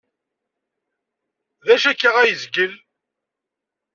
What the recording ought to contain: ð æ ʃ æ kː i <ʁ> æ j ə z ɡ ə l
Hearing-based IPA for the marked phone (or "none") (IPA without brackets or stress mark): ʁ